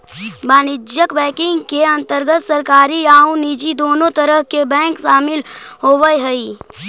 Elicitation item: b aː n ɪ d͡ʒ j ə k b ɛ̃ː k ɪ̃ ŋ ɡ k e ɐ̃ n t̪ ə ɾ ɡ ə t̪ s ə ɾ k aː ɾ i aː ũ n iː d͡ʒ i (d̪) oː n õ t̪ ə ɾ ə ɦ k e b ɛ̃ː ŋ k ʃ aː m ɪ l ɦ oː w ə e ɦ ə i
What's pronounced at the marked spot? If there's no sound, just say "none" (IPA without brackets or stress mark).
d̪